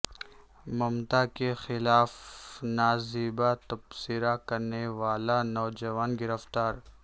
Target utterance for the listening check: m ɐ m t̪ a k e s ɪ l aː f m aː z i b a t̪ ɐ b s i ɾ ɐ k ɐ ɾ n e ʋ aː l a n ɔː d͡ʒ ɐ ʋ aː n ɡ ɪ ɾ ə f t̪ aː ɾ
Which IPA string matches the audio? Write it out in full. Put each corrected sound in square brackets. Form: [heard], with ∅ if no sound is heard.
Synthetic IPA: m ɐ m t̪ a k e [x] ɪ l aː f [n] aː z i b a t̪ ɐ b s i ɾ [a] k ɐ ɾ n e ʋ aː l a n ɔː d͡ʒ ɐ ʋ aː n ɡ ɪ ɾ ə f t̪ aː ɾ